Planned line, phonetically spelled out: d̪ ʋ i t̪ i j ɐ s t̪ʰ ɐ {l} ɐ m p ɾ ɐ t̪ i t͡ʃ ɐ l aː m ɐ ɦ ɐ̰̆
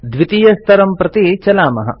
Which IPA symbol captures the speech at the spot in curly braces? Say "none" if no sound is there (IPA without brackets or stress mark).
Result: ɾ